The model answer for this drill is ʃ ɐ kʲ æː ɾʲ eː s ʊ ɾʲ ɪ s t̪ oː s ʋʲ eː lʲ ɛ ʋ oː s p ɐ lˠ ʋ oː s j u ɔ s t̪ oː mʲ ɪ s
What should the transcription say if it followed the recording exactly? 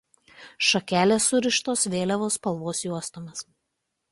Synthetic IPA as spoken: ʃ ɐ kʲ æː lʲ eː s ʊ ɾʲ ɪ ʃ t̪ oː s ʋʲ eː lʲ ɛ ʋ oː s p ɐ lˠ ʋ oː s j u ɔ s t̪ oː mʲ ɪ s